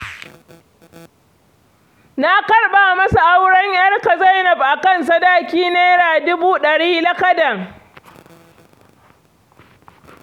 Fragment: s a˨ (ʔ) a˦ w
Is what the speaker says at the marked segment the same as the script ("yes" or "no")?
yes